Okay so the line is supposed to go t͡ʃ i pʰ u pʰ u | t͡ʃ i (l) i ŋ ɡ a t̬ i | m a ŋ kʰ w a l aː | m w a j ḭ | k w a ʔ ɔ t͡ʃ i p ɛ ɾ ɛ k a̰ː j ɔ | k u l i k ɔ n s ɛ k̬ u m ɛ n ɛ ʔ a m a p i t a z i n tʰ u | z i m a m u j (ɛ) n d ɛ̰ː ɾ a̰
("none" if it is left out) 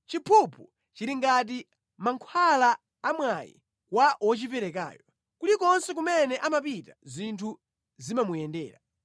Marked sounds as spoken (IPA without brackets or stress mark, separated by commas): ɾ, ɛ